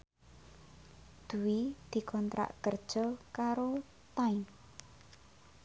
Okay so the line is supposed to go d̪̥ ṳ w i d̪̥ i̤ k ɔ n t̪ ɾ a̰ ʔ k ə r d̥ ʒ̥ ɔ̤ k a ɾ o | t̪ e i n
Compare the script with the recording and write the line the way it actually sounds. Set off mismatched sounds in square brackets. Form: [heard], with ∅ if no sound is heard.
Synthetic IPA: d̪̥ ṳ w i d̪̥ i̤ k ɔ n t̪ ɾ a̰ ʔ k ə r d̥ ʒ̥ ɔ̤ k a ɾ o | t̪ [a] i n